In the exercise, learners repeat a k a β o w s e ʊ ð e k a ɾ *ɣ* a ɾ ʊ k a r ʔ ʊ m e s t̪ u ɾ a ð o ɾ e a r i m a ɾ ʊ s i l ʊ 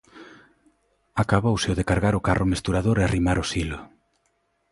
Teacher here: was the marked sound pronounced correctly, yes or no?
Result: yes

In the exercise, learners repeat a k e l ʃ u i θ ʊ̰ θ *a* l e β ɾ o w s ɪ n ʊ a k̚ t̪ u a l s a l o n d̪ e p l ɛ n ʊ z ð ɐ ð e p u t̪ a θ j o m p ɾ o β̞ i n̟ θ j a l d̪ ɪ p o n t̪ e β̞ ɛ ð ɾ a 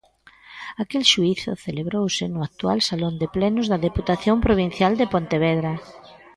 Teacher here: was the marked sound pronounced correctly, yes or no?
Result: no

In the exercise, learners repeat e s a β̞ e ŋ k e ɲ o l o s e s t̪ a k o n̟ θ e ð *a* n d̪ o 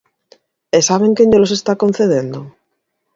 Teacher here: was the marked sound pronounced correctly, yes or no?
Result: no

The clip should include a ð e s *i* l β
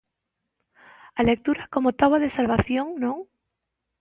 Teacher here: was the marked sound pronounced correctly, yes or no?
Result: no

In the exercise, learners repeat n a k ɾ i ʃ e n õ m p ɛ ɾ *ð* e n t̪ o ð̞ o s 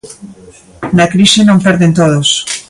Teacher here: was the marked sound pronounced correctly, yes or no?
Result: yes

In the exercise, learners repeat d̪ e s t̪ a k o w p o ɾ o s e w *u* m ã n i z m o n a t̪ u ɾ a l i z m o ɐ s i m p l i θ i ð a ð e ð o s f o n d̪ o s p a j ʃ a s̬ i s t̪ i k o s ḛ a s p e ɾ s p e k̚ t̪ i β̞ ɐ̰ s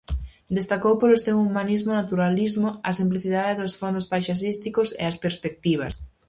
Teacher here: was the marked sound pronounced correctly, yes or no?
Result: yes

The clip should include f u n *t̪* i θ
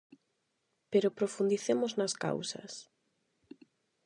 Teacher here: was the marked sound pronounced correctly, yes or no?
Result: no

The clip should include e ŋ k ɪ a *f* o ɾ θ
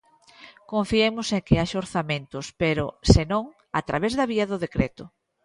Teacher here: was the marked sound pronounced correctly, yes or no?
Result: no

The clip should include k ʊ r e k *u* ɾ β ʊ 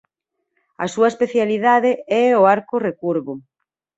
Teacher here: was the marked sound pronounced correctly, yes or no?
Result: yes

